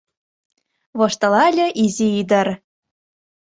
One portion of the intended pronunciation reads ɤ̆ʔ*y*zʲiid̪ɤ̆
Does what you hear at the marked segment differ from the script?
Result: yes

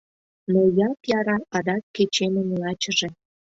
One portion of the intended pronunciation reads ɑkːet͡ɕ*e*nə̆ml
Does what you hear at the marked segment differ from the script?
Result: no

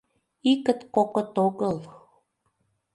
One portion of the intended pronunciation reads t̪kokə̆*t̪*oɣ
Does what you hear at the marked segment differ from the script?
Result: no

